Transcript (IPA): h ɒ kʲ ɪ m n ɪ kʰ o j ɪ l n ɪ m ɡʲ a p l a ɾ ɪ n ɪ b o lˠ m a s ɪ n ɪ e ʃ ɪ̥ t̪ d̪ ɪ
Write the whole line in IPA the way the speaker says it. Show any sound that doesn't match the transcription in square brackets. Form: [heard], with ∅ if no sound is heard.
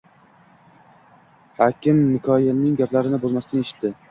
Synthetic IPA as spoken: h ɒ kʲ ɪ m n ɪ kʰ [ɒ] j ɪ l n ɪ [ŋ] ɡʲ a p l a ɾ ɪ n ɪ b o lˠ m a s ɪ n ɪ e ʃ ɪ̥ t̪ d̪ ɪ